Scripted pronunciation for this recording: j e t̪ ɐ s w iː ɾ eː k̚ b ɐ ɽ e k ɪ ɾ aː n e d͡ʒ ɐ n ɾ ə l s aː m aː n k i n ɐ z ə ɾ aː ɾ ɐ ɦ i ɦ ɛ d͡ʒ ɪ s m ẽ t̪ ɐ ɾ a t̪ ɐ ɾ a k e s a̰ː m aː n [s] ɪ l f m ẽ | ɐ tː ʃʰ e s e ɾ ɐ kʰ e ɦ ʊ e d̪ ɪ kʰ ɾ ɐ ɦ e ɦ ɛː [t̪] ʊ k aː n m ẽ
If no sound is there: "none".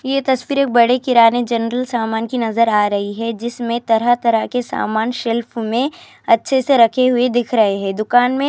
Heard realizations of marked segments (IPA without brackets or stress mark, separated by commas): ʃ, d̪